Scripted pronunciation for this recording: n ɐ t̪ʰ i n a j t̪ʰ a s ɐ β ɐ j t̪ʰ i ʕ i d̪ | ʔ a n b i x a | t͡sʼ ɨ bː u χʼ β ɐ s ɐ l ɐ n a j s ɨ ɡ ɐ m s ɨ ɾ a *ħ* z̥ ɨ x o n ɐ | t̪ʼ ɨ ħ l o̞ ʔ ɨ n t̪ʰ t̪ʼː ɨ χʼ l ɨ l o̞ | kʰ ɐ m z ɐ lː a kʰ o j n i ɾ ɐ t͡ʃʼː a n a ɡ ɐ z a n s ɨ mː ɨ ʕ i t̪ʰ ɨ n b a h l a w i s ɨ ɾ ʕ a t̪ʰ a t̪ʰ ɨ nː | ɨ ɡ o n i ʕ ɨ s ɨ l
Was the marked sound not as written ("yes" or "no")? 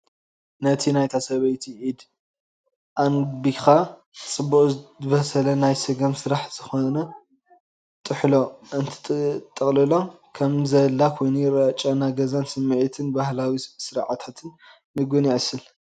no